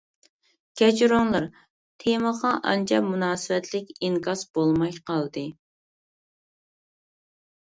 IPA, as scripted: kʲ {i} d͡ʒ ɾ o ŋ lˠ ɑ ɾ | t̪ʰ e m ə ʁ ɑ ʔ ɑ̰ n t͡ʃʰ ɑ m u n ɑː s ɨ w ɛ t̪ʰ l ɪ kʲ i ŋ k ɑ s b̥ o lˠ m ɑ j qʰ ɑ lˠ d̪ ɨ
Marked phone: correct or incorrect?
incorrect